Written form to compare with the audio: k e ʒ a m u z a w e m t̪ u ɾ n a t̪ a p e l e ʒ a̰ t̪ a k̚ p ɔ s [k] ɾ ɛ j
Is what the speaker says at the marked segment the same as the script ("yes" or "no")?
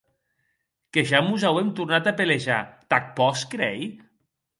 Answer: yes